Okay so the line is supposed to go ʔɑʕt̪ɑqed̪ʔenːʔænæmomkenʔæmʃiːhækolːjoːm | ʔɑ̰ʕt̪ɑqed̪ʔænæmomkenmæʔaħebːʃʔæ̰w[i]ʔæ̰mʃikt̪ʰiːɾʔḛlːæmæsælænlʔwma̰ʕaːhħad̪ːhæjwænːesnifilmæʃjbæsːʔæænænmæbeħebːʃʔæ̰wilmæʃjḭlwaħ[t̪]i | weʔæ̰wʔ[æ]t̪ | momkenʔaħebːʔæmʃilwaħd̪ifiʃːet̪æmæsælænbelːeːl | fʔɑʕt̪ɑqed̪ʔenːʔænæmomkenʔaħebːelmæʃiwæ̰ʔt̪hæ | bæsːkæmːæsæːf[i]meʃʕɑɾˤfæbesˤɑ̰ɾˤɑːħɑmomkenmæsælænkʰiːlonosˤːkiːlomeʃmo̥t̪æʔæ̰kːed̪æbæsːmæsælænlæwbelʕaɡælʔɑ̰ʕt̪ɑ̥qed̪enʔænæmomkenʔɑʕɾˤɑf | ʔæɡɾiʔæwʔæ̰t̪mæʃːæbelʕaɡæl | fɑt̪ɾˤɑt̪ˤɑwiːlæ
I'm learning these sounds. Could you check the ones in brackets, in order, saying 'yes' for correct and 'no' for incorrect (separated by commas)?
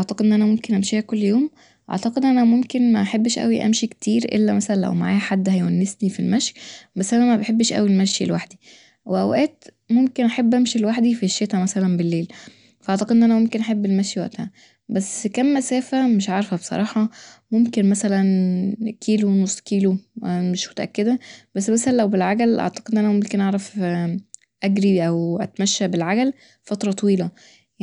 yes, no, no, no